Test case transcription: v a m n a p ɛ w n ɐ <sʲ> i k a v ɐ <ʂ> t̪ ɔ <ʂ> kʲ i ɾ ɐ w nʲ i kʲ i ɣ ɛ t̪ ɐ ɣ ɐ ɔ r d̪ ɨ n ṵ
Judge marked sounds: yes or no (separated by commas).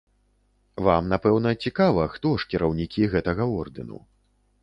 no, no, yes